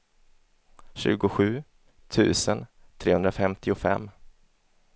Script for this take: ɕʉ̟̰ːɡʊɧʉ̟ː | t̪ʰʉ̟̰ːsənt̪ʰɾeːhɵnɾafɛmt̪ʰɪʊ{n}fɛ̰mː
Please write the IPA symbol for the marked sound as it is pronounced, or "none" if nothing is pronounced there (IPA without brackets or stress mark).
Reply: none